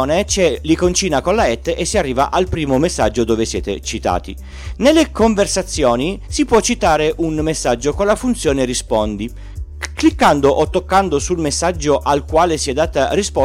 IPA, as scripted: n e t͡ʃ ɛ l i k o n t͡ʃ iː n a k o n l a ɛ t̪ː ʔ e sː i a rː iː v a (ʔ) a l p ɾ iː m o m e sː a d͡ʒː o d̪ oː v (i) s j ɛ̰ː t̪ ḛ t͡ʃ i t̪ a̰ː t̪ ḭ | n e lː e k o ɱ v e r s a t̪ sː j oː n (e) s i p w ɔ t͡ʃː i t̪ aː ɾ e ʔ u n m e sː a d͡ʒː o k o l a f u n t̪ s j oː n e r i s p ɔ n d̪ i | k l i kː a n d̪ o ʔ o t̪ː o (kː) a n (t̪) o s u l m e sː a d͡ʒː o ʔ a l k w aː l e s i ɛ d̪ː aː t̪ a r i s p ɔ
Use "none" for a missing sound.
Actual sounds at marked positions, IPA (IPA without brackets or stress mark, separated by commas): ʔ, e, i, kː, d̪